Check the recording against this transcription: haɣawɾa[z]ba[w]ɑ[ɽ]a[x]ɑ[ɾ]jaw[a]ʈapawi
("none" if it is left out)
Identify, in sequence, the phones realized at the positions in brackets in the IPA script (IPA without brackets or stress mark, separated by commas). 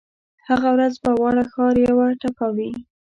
z, w, ɽ, x, ɾ, a